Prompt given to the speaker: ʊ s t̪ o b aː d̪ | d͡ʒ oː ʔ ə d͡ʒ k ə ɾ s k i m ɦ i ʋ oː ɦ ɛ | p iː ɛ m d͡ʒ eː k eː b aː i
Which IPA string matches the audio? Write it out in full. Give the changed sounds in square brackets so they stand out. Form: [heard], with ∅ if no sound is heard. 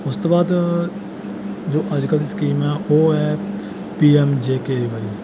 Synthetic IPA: ʊ s t̪ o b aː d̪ | d͡ʒ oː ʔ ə d͡ʒ k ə [l] s k [iː] m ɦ [ɛ] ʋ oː ɦ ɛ | p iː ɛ m d͡ʒ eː k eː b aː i